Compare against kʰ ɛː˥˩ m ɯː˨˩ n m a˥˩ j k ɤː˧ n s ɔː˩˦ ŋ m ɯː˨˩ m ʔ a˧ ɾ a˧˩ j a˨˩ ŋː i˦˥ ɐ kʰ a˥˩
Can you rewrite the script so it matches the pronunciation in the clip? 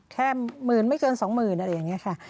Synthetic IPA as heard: kʰ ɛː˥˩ m ɯː˨˩ n m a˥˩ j k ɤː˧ n s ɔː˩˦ ŋ m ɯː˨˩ n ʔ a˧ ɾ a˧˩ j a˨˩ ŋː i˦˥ ɐ kʰ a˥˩